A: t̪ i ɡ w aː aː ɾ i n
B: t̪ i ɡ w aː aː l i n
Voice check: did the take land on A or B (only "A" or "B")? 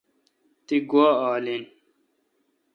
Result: B